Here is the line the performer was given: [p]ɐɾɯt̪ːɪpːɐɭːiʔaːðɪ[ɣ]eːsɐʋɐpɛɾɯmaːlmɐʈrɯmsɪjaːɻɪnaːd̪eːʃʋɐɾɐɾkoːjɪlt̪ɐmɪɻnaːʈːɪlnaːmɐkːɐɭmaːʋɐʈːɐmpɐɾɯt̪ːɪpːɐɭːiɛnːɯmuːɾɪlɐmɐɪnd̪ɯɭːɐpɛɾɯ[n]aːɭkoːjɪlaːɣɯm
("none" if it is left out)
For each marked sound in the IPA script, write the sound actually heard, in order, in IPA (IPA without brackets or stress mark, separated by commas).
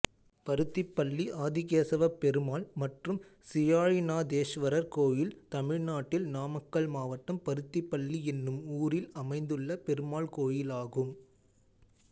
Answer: p, ɣ, m